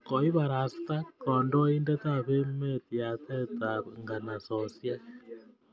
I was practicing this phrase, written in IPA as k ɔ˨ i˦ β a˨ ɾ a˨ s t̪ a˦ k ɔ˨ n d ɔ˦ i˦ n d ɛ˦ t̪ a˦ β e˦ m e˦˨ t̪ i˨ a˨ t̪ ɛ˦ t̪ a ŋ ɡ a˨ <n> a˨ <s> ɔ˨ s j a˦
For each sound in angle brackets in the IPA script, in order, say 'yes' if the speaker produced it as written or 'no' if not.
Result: yes, yes

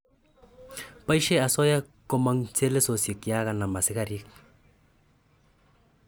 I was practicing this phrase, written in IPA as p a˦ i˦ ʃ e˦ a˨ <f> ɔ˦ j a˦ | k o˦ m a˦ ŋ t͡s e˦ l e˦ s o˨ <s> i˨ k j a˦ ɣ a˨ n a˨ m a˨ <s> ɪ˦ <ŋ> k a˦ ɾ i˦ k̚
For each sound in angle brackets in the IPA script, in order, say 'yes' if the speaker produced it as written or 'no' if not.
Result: no, yes, yes, no

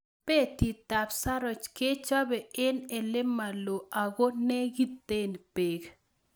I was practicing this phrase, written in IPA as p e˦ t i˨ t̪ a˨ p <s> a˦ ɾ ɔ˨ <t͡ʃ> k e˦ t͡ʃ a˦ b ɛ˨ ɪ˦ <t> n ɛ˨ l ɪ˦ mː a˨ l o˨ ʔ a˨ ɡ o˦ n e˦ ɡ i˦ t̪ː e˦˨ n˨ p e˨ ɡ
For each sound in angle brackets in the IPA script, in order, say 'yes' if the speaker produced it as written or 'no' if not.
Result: yes, yes, no

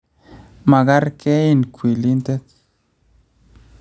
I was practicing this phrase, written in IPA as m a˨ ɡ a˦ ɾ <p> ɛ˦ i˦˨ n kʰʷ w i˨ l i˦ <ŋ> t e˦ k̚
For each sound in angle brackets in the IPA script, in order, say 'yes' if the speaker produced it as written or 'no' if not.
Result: no, no

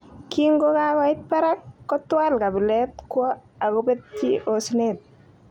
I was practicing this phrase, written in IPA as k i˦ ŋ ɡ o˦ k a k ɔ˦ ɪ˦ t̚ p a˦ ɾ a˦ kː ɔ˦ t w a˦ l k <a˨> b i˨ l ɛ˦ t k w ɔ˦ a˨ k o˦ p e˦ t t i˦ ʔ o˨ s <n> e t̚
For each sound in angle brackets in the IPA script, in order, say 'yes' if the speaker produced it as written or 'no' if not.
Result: yes, yes

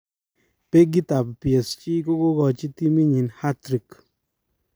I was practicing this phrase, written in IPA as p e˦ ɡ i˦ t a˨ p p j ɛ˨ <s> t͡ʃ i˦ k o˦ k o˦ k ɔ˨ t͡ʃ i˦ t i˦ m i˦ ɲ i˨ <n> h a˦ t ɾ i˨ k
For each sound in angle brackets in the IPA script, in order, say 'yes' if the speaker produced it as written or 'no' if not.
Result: yes, yes

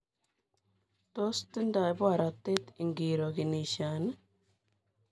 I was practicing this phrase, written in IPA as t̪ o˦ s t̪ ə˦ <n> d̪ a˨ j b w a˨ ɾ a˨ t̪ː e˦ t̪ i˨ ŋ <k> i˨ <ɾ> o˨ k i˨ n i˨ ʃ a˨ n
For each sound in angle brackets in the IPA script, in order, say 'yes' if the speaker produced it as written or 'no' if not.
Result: yes, no, yes

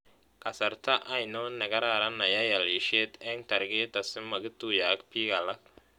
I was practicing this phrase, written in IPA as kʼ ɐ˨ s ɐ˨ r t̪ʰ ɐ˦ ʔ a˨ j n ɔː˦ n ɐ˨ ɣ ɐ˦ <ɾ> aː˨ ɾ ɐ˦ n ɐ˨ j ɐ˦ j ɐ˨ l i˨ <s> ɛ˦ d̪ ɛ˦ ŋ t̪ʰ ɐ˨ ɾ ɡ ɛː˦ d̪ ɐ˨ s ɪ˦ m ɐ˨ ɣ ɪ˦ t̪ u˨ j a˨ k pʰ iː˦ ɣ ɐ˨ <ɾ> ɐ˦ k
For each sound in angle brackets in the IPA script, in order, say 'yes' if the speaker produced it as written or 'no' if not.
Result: yes, no, no

